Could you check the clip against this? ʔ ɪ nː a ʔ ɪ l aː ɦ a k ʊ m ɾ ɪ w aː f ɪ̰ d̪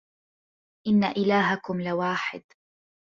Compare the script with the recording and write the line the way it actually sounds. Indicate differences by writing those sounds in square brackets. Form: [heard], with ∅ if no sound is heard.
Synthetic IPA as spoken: ʔ ɪ nː a ʔ ɪ l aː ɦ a k ʊ m [l] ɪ w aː [ħ] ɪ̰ d̪